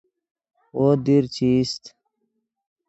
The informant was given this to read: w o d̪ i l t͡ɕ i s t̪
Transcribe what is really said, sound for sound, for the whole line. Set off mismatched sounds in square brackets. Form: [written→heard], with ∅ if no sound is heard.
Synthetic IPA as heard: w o d̪ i [l→ɾ] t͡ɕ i s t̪

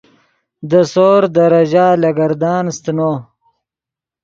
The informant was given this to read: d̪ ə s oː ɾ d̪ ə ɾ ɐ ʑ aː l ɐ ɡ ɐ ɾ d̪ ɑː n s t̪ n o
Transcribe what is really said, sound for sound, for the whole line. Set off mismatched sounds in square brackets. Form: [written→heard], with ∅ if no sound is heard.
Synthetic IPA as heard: d̪ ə s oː ɾ d̪ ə ɾ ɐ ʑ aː l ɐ ɡ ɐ ɾ d̪ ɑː n s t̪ n o

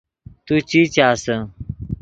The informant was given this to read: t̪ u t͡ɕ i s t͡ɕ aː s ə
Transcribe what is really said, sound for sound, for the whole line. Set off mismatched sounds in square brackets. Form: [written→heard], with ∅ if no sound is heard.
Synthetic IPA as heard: t̪ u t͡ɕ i [s→∅] t͡ɕ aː s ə

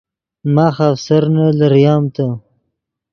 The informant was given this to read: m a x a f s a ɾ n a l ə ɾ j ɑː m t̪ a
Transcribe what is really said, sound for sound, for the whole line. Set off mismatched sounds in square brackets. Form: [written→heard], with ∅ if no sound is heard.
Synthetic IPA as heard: m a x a f s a ɾ n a l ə ɾ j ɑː m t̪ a

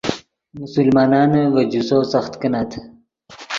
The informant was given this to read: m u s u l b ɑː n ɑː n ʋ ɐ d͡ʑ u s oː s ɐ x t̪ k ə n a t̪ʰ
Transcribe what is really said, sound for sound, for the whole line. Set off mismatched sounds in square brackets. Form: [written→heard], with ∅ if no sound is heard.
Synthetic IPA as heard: m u s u l [b→m] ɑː n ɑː n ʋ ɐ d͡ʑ u s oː s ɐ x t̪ k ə n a t̪ʰ

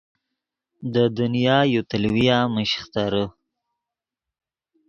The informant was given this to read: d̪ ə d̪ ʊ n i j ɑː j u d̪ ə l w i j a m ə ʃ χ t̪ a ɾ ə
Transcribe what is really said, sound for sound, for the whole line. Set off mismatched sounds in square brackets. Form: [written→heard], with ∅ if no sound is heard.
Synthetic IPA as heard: d̪ ə d̪ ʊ n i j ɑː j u [d̪→t̪] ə l w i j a m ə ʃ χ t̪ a ɾ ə

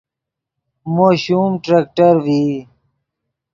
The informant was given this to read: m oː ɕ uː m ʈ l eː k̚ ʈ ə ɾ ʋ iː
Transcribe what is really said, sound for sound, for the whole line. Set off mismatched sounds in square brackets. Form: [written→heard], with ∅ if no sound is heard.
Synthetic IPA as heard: m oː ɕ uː m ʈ [l→ɾ] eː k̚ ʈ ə ɾ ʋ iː

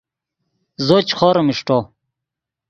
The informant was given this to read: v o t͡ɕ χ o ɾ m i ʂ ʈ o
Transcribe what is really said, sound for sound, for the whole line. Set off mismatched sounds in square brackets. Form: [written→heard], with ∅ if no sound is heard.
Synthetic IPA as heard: [v→z] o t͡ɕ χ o ɾ m i ʂ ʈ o

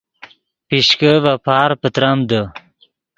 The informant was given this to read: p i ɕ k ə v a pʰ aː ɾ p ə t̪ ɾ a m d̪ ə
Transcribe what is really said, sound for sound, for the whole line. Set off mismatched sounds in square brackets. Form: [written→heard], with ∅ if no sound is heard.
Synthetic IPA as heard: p i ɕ k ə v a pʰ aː ɾ p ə t̪ ɾ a m d̪ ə

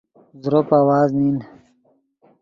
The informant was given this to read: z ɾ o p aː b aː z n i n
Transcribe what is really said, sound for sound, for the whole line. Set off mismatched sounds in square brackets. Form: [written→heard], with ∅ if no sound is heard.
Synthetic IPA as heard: z ɾ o p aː [b→w] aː z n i n

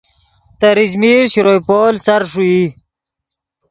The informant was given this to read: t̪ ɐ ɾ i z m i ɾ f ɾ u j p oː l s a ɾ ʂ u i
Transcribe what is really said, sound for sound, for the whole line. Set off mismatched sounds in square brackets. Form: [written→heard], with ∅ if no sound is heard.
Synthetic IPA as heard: t̪ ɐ ɾ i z m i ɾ [f→ɕ] ɾ [u→o] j p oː l s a ɾ ʂ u i

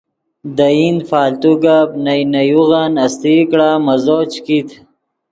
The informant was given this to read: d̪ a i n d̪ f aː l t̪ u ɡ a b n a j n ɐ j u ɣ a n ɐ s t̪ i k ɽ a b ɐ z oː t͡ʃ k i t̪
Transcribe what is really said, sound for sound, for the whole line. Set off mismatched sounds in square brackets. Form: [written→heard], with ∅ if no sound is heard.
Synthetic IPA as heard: d̪ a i n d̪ f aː l t̪ u ɡ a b n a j n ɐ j u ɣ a n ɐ s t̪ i k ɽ a [b→m] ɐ z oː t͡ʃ k i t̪

